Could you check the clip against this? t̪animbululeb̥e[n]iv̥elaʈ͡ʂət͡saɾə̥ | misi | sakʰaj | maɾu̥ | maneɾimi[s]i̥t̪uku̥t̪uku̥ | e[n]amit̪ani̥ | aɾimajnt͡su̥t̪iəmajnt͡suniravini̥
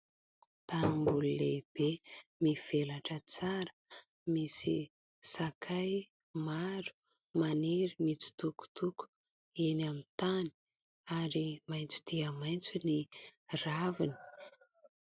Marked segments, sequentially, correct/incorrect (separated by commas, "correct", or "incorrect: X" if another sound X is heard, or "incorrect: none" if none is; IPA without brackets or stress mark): incorrect: m, incorrect: t͡s, correct